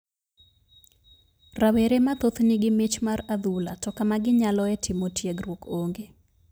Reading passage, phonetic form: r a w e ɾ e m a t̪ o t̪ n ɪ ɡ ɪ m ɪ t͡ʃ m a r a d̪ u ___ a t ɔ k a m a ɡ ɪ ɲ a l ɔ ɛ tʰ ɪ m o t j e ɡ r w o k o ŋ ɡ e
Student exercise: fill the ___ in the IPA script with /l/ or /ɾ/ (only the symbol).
l